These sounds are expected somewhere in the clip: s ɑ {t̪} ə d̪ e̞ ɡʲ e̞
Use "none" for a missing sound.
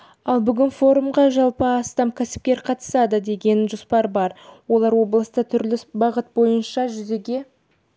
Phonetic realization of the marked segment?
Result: d̪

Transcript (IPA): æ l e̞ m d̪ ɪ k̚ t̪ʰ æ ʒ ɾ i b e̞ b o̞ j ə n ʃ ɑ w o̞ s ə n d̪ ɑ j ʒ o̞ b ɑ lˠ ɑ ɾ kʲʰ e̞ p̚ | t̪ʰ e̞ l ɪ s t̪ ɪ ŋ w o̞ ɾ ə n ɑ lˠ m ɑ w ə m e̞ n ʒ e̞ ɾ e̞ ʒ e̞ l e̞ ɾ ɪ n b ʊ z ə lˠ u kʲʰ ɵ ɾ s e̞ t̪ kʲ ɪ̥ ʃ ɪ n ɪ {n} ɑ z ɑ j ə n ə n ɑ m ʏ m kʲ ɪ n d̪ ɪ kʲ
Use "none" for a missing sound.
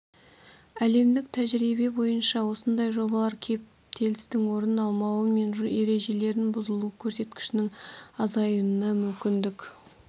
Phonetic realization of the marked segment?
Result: ŋ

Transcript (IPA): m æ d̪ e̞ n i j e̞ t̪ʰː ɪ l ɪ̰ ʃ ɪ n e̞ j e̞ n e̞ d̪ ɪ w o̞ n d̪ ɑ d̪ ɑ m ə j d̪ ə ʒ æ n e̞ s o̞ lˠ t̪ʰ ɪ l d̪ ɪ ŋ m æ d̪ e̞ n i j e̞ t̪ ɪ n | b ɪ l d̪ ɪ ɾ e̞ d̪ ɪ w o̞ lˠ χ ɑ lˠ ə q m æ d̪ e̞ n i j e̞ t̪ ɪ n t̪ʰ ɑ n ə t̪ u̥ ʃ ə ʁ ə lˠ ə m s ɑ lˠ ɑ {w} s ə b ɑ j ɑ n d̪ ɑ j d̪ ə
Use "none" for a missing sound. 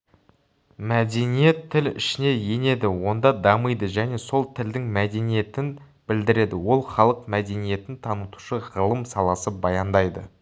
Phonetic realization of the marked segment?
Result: none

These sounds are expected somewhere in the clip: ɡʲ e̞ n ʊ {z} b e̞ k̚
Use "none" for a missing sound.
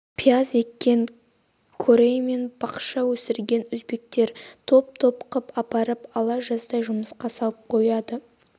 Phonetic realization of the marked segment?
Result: z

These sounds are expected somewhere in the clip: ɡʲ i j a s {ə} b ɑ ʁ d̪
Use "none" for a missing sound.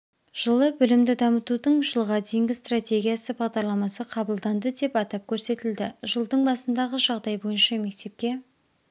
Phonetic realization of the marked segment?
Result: ə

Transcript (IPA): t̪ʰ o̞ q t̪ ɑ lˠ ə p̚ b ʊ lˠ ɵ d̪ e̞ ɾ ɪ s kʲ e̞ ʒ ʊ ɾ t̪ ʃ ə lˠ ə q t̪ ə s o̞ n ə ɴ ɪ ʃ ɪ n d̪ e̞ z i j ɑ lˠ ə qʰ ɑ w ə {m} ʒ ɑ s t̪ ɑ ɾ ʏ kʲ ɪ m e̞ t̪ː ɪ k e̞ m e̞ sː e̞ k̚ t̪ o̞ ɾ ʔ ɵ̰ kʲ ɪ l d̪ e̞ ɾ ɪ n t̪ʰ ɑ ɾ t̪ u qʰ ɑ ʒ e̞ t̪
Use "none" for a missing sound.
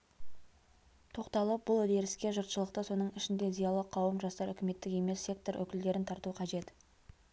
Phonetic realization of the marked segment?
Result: m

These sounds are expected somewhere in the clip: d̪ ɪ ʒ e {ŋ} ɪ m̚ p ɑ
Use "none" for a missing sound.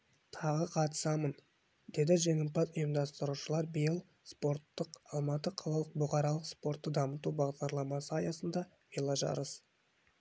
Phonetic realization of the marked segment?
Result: ŋ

